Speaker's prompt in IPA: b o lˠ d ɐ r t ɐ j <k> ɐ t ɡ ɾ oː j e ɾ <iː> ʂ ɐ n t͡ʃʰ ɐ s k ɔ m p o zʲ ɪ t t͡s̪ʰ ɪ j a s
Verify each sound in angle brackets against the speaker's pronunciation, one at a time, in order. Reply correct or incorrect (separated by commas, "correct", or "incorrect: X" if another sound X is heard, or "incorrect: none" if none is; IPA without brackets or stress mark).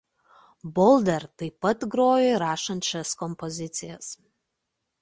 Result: incorrect: p, incorrect: aː